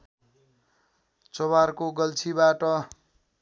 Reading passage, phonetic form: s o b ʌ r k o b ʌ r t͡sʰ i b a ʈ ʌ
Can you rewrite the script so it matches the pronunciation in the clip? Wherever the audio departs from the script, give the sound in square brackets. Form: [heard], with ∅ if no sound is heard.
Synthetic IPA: [t͡s] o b [a] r k o [ɡ] ʌ [l] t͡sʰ i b a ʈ ʌ